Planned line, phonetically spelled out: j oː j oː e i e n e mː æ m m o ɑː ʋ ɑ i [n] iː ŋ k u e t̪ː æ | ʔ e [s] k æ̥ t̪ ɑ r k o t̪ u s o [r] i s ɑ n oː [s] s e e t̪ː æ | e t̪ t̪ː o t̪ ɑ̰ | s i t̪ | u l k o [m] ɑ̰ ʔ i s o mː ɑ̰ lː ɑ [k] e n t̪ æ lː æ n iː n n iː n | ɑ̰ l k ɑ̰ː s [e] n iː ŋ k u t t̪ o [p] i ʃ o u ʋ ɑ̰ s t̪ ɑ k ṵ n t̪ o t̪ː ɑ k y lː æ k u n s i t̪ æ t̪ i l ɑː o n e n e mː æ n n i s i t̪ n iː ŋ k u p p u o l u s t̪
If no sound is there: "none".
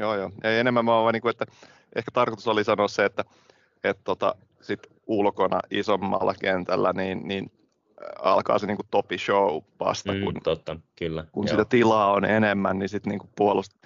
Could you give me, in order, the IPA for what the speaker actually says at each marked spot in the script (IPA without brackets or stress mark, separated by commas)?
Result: n, h, l, s, n, k, e, p